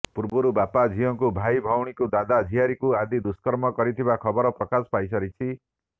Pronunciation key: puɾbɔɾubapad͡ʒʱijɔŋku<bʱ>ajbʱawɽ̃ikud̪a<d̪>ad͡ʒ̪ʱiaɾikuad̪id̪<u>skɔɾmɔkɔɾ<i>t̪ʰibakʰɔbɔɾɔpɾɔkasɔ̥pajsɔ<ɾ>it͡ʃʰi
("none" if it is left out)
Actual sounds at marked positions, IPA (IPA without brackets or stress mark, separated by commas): bʱ, d̪, u, i, ɾ